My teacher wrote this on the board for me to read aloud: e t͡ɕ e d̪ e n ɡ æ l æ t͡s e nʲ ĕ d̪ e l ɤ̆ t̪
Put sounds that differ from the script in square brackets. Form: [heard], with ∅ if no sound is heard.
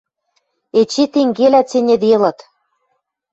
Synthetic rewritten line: e t͡ɕ e [t̪] e [ŋ] ɡ [e] l æ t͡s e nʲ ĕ d̪ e l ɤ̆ t̪